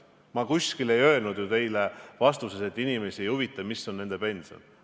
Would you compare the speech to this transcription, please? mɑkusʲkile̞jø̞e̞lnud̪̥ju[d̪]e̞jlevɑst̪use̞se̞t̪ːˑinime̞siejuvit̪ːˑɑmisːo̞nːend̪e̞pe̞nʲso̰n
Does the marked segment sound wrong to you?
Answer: yes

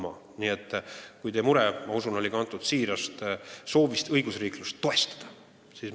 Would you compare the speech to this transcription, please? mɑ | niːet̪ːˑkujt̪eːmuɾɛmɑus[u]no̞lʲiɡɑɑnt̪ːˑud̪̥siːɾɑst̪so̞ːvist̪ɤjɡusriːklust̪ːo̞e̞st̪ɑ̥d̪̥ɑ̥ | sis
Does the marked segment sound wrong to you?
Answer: no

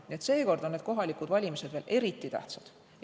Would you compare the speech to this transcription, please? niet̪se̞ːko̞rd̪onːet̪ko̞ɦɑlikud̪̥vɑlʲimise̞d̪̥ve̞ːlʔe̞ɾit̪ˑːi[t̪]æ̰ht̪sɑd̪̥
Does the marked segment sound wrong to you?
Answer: no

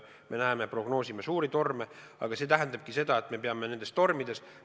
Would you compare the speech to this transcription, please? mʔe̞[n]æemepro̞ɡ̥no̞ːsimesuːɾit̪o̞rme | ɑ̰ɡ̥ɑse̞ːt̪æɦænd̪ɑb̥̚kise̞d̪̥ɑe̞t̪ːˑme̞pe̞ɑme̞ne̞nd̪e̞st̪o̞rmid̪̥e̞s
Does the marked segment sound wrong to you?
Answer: no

